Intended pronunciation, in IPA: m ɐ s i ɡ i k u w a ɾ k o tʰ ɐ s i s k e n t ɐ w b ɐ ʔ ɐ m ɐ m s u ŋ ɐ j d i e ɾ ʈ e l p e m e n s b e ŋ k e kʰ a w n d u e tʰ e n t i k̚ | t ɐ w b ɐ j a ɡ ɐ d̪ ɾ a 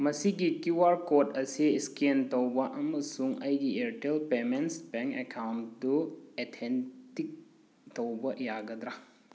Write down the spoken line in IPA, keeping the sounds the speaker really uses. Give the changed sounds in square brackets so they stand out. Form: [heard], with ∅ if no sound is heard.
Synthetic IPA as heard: m ɐ s i ɡ i k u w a ɾ k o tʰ ɐ s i s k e n t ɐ w b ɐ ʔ ɐ m ɐ [∅] s u ŋ ɐ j [ɡ] i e ɾ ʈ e l p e m e n s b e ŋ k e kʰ a w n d u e tʰ e n t i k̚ | t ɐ w b ɐ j a ɡ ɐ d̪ ɾ a